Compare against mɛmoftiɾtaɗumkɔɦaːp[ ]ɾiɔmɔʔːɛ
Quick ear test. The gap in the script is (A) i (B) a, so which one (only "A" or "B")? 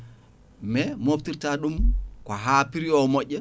A